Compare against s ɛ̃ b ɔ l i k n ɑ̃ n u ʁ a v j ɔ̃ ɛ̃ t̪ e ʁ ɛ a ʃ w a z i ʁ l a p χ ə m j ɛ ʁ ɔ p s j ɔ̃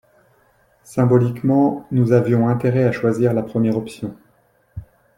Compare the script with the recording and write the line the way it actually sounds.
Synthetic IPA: s ɛ̃ b ɔ l i k m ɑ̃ n u z a v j ɔ̃ ɛ̃ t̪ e ʁ ɛ a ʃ w a z i ʁ l a p χ ə m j ɛ ʁ ɔ p s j ɔ̃